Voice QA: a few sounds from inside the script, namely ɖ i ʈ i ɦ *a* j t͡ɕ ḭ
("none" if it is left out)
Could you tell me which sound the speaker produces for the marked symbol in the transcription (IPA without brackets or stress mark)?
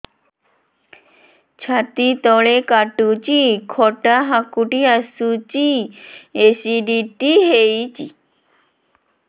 e